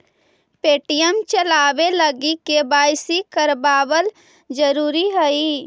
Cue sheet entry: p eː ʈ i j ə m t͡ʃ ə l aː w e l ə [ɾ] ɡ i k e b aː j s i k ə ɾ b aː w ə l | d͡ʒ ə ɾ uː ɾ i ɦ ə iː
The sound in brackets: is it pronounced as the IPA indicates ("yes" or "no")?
no